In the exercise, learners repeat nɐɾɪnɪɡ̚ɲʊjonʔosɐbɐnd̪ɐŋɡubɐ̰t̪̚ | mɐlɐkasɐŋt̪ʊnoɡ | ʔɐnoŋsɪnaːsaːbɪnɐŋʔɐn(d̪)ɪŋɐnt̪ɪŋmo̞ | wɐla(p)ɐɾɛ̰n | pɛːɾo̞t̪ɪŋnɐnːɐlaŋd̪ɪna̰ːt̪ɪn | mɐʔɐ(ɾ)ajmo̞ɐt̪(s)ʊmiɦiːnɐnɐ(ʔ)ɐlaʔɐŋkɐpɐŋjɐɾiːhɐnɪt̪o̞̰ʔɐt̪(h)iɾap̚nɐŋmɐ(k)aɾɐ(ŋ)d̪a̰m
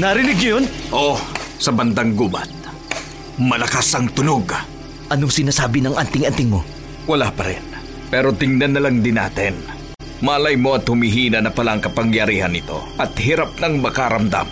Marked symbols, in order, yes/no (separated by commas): no, yes, no, no, no, yes, yes, no